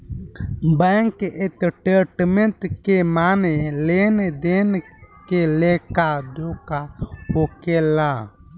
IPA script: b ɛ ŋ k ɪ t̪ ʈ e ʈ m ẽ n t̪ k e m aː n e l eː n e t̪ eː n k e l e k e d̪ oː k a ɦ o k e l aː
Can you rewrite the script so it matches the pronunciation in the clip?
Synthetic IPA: b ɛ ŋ k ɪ t̪ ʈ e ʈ m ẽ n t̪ k e m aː n e l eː n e d̪ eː n k e l e k a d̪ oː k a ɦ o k e l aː

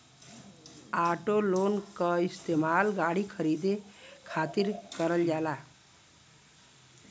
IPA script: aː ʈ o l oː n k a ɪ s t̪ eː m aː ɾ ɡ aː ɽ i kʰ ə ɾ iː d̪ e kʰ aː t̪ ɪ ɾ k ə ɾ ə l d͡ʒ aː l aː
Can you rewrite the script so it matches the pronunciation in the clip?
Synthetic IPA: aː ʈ o l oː n k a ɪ s t̪ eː m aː l ɡ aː ɽ i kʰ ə ɾ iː d̪ e kʰ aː t̪ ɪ ɾ k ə ɾ ə l d͡ʒ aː l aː

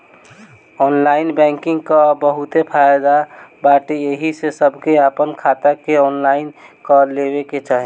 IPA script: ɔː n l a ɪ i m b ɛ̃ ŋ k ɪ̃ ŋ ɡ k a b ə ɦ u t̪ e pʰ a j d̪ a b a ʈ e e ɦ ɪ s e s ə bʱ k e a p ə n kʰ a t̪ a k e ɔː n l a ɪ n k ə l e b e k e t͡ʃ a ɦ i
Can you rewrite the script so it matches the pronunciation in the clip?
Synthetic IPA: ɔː n l a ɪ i n b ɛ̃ ŋ k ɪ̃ ŋ ɡ k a b ə ɦ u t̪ e pʰ a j d̪ a b a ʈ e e ɦ i s e s ə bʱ k e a p ə n kʰ a t̪ a k e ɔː n l a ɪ n k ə l e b e k e t͡ʃ a ɦ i

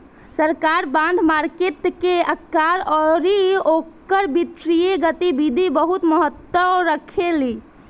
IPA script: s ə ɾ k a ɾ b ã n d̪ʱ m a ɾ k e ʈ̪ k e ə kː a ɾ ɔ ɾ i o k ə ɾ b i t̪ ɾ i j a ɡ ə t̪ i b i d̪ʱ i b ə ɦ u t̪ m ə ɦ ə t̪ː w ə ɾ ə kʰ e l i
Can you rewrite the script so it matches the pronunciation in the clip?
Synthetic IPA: s ə ɾ k a ɾ b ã n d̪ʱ m a ɾ k e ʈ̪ k e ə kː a ɾ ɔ ɾ i o k ə ɾ b i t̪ ɾ i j e ɡ ə t̪ i b i d̪ʱ i b ə ɦ u t̪ m ə ɦ ə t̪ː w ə ɾ ə kʰ e l i

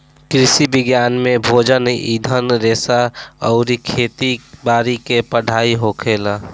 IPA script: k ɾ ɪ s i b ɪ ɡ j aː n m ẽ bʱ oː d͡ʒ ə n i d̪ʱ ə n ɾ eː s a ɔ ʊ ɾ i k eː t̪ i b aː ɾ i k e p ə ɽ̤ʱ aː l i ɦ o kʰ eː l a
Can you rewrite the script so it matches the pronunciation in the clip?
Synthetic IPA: k ɾ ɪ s i b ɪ ɡ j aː n m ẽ bʱ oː d͡ʒ ə n i d̪ʱ ə n ɾ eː s a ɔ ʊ ɾ i kʰ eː t̪ i b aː ɾ i k e p ə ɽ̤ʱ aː i ɦ o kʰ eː l a

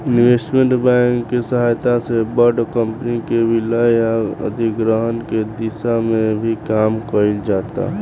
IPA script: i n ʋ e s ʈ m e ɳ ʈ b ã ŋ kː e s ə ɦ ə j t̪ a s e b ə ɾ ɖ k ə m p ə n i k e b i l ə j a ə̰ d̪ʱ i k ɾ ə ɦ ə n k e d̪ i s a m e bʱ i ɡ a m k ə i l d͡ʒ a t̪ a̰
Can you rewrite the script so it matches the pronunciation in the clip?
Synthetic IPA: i n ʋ e s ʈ m e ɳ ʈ b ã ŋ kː e s ə ɦ a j t̪ a s e b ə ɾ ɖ k ə m p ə n i k e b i l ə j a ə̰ d̪ʱ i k ɾ ə ɦ ə n k e d̪ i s a m e bʱ i k a m k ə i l d͡ʒ a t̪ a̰

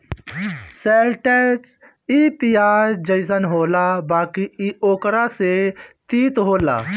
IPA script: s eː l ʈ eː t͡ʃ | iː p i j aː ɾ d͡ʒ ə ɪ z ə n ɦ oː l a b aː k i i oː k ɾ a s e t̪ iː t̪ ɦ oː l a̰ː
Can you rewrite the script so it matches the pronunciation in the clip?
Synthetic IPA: s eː l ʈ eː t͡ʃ | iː p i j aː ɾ d͡ʒ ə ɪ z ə n ɦ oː l a b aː k i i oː k ɾ a s e t̪ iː t̪ ɦ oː l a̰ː

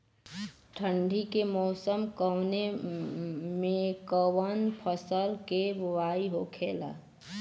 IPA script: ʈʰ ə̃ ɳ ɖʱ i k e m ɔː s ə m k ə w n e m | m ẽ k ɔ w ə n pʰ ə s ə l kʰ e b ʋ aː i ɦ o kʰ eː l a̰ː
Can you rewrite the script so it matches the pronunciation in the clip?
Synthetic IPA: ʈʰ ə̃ ɳ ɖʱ i k e m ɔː s ə m k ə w n e | m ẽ k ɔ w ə n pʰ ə s ə l k e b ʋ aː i ɦ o kʰ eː l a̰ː

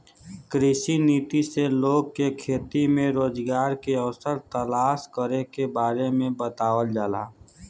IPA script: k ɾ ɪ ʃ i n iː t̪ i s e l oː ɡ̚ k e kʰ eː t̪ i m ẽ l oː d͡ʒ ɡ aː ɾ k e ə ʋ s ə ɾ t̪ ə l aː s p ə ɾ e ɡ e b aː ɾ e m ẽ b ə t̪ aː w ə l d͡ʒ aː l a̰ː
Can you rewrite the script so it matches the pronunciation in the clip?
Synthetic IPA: k ɾ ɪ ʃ i n iː t̪ i s e l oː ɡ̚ k e kʰ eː t̪ i m ẽ ɾ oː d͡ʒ ɡ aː ɾ k e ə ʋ s ə ɾ t̪ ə l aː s k ə ɾ e k e b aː ɾ e m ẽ b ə t̪ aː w ə l d͡ʒ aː l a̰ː

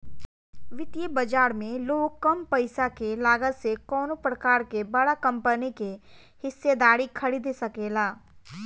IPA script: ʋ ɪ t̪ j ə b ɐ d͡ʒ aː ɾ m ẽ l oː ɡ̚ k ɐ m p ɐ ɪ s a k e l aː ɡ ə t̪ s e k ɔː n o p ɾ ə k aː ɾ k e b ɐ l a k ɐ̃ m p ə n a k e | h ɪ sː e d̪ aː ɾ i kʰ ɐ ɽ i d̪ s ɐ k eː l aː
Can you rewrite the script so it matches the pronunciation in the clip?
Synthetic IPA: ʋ ɪ t̪ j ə b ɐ d͡ʒ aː ɾ m ẽ l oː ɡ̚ k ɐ m p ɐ ɪ s a k e l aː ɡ ə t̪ s e k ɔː n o p ɾ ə k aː ɾ k e b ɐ ɽ a k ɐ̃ m p ə n i k e | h ɪ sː e d̪ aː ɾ i kʰ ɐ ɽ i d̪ s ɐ k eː l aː

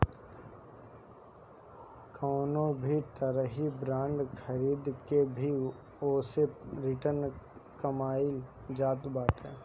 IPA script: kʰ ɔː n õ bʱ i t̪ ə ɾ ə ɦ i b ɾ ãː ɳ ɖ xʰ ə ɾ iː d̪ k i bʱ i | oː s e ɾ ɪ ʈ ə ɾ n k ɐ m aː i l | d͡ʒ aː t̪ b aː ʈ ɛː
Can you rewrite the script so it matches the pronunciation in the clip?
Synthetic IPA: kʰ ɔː n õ bʱ i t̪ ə ɾ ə ɦ i b ɾ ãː ɳ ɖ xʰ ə ɾ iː d̪ k e bʱ i | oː s e ɾ ɪ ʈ ə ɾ n k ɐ m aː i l | d͡ʒ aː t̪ b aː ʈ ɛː

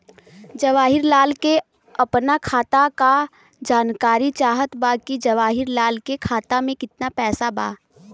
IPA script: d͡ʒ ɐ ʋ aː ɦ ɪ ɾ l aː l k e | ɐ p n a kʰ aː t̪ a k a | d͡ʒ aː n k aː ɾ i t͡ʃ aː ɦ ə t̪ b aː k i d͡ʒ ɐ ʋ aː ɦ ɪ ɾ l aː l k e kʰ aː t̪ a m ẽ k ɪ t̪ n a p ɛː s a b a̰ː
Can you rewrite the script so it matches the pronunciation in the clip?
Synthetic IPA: d͡ʒ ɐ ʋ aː ɦ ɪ ɾ l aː l k e | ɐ p n a kʰ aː t̪ a k a | d͡ʒ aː n k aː ɾ i t͡ʃ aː ɦ ə t̪ b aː k i d͡ʒ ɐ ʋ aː ɦ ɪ ɾ l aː l k e kʰ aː t̪ a m ẽ k ɪ t̪ n a p ɛː s a b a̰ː

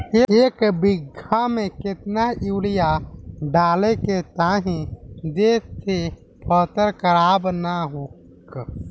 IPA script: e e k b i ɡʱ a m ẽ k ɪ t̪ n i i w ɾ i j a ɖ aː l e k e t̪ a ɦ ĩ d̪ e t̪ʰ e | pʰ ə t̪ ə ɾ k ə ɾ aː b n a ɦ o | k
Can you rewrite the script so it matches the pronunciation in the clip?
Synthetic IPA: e e k b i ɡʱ a m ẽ k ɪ t̪ n a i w l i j a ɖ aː l e k e t̪ a ɦ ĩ d̪ e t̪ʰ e | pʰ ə t̪ ə ɾ k ə ɾ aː b n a ɦ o | k

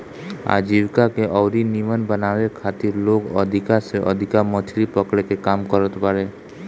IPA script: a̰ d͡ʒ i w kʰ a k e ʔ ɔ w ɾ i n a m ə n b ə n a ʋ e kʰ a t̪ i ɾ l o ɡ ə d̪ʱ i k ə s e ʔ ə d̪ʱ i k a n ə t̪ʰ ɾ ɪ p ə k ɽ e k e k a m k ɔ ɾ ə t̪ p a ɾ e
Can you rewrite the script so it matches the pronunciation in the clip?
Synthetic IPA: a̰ d͡ʒ i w k a k e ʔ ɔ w ɾ i n i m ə n b ə n a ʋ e kʰ a t̪ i ɾ l o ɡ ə d̪ʱ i k a s e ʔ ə d̪ʱ i k a m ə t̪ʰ ɾ i p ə k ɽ e k e k a m k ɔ ɾ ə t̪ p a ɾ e

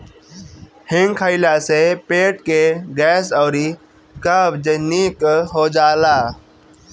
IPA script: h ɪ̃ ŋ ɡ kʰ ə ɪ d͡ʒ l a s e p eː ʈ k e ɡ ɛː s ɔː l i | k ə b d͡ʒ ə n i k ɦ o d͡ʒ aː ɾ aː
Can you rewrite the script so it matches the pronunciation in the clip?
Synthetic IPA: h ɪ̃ ŋ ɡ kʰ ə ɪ l a s e p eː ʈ k e ɡ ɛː s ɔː ɾ i | k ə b d͡ʒ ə n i k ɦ o d͡ʒ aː l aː

